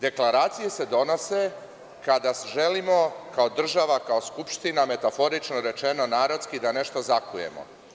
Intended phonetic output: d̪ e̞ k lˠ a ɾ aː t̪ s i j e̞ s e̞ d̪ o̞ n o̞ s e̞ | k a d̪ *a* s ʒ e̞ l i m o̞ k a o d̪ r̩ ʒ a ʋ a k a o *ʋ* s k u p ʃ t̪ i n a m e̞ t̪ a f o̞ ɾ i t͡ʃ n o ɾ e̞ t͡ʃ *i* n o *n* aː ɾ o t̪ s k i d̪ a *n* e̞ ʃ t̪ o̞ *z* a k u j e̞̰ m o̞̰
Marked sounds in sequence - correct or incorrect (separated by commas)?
correct, incorrect, incorrect, correct, correct, correct